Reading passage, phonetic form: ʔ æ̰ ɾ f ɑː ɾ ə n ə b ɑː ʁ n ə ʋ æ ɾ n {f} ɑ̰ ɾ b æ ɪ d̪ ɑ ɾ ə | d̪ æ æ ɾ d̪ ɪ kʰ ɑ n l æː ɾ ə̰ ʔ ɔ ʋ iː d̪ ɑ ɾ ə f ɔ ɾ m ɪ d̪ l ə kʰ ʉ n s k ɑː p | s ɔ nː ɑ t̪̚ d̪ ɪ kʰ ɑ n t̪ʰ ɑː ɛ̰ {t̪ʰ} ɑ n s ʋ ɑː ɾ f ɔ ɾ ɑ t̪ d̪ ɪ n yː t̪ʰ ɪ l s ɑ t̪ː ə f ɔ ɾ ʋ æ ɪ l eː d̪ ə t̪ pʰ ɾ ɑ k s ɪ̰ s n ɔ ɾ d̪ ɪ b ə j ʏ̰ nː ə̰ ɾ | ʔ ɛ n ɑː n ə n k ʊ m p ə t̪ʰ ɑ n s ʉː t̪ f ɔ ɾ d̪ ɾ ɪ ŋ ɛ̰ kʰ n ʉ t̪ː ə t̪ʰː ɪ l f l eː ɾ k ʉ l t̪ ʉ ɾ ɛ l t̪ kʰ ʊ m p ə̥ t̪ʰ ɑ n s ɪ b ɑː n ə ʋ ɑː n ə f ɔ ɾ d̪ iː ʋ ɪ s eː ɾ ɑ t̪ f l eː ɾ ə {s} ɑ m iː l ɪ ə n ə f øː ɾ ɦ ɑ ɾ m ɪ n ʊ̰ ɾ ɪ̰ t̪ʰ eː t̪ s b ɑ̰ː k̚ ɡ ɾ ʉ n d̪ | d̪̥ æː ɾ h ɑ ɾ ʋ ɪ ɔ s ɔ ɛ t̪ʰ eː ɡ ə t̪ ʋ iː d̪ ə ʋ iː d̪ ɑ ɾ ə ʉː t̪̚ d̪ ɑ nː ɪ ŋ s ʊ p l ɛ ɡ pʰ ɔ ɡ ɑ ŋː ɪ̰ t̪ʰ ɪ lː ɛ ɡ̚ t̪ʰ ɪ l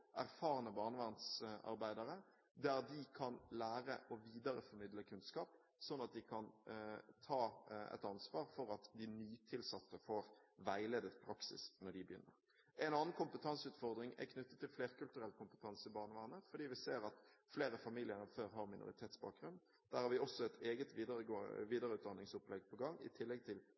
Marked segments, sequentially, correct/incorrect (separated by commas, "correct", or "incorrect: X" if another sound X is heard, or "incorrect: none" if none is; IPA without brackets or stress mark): incorrect: s, incorrect: t̪, incorrect: f